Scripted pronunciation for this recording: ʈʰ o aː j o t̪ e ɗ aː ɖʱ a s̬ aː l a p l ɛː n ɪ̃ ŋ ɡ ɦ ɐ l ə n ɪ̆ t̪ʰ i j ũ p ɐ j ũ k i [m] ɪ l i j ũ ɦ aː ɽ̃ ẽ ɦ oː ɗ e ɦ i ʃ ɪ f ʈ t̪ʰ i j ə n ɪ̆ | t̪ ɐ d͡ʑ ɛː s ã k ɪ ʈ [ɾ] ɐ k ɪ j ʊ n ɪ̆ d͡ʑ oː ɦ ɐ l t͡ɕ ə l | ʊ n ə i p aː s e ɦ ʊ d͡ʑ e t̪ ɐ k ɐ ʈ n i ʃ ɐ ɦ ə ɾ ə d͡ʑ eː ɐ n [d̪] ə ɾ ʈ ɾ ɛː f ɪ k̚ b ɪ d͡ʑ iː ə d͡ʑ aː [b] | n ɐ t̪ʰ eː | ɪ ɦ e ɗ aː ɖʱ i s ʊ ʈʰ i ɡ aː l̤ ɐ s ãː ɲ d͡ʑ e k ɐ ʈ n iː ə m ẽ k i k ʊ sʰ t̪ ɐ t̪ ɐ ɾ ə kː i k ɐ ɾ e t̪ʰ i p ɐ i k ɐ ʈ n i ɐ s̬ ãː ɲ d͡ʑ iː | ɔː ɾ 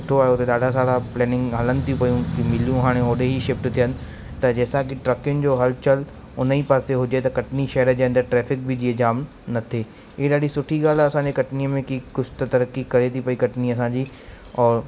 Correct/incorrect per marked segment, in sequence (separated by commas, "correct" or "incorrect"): correct, correct, correct, incorrect